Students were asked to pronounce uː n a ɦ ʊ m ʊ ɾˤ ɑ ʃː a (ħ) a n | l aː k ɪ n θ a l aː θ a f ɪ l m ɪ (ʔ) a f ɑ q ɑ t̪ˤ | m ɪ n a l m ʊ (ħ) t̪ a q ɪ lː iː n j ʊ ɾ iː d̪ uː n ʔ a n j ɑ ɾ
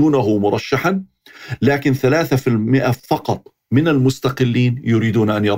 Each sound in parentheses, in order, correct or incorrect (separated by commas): correct, correct, incorrect